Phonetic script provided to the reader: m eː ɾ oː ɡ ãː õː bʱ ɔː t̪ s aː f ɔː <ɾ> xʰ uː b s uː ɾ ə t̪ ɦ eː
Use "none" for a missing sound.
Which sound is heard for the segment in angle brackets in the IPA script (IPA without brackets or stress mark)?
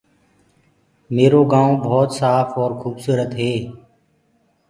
ɾ